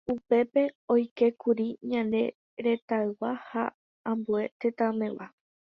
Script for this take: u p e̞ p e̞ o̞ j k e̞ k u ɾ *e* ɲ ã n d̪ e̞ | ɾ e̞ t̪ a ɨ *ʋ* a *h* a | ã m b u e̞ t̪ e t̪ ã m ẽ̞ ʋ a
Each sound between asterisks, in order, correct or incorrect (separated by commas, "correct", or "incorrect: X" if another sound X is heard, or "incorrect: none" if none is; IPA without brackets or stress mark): incorrect: i, incorrect: w, correct